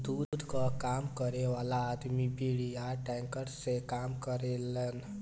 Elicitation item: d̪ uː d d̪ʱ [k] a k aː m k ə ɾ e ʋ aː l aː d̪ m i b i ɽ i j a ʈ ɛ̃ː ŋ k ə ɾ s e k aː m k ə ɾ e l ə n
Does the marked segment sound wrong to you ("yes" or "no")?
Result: no